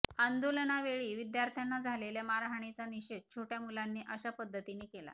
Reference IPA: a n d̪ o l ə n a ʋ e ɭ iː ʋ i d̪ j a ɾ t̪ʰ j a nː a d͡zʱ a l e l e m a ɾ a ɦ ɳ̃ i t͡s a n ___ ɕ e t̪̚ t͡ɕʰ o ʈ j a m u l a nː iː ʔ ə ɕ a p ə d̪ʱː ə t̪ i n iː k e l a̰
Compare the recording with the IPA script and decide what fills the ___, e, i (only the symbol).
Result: i